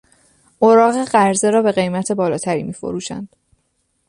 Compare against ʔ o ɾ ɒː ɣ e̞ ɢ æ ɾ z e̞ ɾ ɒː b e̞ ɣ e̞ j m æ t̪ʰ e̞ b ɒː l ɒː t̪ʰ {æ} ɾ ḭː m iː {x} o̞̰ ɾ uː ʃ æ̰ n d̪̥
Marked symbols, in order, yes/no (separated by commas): yes, no